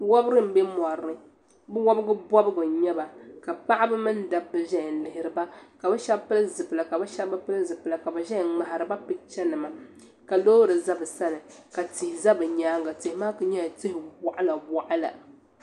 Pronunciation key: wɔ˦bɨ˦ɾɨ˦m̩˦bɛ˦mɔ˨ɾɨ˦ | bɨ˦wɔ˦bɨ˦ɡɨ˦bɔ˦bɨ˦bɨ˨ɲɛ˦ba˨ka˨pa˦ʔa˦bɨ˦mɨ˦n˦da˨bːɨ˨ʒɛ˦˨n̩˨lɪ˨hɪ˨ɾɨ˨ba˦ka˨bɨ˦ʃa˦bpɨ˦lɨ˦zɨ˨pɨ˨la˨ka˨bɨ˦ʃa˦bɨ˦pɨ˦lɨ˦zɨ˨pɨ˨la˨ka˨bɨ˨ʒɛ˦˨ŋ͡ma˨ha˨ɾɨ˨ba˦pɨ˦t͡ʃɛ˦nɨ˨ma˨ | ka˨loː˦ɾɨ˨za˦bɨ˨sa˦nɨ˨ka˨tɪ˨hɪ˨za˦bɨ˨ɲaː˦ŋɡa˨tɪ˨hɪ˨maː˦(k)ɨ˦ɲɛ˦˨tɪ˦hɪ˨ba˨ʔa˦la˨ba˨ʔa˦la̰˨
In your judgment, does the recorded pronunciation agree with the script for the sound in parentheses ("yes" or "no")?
yes